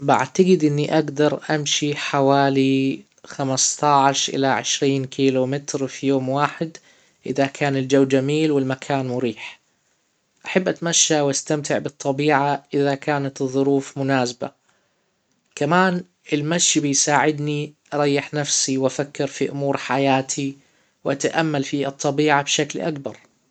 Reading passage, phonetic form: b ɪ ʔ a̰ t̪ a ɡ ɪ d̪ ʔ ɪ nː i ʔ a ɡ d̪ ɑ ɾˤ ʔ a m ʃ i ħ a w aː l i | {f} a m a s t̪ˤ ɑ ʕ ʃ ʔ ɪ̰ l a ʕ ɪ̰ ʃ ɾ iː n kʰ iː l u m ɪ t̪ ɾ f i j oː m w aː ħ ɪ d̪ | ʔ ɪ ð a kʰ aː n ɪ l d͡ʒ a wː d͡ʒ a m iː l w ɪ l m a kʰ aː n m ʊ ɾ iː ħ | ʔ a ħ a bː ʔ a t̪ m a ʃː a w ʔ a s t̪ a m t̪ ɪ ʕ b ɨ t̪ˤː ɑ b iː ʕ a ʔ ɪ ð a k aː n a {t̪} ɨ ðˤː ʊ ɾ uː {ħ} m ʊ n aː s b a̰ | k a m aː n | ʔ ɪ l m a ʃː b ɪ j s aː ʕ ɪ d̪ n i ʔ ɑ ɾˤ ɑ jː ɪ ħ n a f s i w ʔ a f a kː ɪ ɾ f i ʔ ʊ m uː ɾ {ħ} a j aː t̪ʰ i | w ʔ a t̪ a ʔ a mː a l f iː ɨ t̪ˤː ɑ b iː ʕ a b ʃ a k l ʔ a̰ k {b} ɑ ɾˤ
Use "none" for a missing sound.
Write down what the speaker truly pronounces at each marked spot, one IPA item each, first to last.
x, t̪, f, ħ, b

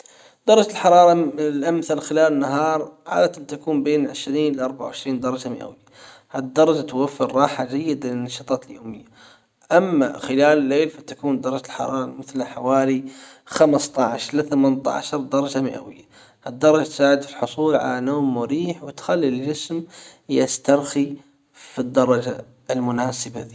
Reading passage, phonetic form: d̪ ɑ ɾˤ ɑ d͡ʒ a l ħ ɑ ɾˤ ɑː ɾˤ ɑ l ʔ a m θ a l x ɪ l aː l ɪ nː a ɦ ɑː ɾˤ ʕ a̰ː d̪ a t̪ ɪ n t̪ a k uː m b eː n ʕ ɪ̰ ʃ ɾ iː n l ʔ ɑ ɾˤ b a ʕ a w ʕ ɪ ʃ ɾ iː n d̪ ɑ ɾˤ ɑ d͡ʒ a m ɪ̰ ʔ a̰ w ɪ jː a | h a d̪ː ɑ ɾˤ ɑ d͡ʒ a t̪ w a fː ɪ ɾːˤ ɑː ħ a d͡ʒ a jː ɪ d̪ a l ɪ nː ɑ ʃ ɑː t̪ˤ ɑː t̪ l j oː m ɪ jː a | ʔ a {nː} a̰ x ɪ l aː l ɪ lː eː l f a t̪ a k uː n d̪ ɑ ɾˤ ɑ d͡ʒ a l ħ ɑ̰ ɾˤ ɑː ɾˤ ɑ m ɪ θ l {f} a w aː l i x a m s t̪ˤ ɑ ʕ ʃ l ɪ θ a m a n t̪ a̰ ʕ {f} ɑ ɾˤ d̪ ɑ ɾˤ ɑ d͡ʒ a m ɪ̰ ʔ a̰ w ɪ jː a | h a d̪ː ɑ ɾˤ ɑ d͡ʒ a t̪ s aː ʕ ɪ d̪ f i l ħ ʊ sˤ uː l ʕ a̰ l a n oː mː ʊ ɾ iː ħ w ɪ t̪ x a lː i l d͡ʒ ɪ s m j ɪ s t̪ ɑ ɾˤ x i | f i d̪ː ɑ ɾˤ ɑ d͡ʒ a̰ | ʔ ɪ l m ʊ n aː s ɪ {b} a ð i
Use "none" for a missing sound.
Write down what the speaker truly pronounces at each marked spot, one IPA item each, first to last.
mː, ħ, ʃ, b

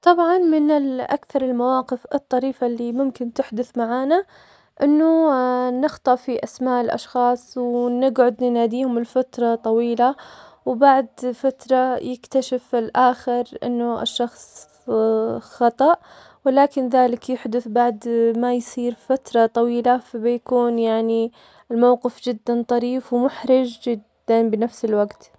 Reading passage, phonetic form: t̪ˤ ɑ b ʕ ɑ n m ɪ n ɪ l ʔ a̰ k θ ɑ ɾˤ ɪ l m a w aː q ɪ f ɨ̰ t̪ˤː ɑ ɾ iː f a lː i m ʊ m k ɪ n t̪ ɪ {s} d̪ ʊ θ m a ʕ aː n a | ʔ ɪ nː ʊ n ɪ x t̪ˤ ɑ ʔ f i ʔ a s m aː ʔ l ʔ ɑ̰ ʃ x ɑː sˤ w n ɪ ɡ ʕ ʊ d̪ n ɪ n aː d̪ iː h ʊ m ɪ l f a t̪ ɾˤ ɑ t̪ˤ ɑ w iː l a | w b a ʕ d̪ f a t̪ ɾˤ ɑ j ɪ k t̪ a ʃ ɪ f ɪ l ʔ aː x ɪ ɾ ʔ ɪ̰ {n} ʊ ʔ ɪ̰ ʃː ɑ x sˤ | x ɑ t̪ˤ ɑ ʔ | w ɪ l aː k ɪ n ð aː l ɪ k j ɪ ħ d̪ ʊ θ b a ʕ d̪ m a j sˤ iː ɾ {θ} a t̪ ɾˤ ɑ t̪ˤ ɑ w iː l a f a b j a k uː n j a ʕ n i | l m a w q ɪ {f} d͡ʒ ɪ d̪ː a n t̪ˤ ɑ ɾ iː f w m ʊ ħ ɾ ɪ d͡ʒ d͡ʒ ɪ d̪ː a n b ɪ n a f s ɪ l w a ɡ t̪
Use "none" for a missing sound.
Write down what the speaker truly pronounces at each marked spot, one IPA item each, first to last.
ħ, nː, f, f

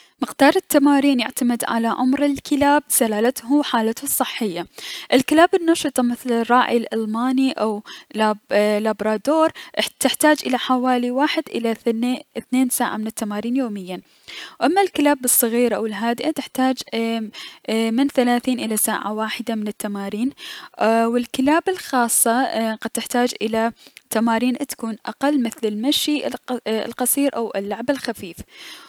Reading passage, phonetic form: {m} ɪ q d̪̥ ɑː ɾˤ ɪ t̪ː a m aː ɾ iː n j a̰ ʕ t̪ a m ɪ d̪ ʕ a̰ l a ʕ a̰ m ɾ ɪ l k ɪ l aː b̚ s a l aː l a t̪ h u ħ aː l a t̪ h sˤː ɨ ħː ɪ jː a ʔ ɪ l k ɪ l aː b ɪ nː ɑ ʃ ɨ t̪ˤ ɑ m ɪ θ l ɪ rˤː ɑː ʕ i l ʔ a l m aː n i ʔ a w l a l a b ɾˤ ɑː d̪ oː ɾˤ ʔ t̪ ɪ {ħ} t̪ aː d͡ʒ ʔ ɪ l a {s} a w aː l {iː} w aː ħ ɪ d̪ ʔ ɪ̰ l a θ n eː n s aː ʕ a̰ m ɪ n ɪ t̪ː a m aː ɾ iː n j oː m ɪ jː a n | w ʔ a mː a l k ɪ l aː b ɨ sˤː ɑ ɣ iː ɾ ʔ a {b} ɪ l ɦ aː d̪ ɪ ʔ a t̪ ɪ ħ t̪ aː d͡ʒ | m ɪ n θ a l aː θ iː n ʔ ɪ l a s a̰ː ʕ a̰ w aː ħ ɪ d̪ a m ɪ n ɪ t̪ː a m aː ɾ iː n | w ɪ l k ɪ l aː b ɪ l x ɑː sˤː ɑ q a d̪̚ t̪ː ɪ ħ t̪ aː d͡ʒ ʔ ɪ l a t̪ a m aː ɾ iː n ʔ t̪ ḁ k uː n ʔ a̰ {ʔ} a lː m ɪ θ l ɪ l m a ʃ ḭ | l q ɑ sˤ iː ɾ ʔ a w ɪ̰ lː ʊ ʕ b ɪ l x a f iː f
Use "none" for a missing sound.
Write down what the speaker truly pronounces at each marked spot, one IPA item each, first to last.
m, ħ, ħ, i, w, q

